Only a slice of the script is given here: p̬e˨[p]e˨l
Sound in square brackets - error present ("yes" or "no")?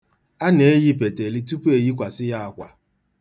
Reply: yes